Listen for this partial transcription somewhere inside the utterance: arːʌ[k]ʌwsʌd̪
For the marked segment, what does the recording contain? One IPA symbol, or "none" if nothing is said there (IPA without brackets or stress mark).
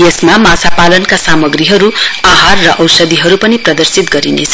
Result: ʔ